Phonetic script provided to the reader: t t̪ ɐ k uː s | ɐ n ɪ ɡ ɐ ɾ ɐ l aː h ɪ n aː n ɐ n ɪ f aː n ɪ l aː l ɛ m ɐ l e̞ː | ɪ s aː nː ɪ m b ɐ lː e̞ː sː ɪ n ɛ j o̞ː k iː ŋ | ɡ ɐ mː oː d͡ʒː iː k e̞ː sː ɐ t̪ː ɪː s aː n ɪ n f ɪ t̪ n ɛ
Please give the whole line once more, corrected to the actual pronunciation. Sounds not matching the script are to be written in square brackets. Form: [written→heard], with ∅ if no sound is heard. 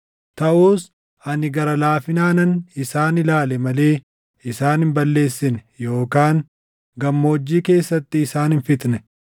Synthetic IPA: t t̪ ɐ [k→ʔ] uː s | ɐ n ɪ ɡ ɐ ɾ ɐ l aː [h→f] ɪ n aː n ɐ n ɪ [f→s] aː n ɪ l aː l ɛ m ɐ l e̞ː | ɪ s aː [nː→n] ɪ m b ɐ lː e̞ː sː ɪ n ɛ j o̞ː k [iː→aː] ŋ | ɡ ɐ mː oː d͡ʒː iː k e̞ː sː ɐ t̪ː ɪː s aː n ɪ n f ɪ t̪ n ɛ